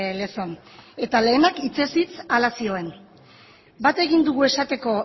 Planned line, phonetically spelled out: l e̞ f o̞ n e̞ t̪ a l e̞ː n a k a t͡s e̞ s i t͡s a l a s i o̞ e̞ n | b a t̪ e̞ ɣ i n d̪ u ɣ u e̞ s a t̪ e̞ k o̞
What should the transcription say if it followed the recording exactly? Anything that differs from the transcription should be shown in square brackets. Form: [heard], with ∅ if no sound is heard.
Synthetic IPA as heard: l e̞ [s] o̞ n e̞ t̪ a l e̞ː n a k [i] t͡s e̞ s i t͡s a l a s i o̞ e̞ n | b a t̪ e̞ ɣ i n d̪ u ɣ u e̞ s a t̪ e̞ k o̞